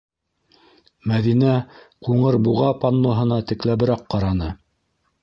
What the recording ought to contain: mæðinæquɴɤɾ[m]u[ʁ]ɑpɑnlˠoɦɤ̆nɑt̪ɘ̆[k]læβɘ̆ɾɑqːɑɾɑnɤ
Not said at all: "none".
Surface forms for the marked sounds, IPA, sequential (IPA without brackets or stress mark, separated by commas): b, ʁ, k